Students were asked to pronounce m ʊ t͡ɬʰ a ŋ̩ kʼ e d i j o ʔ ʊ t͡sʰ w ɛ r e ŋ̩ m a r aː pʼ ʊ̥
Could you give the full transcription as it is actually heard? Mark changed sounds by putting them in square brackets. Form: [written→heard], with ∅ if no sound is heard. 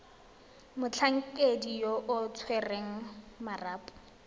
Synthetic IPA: m ʊ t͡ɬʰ a ŋ̩ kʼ e d i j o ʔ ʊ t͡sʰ w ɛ r e ŋ̩ m a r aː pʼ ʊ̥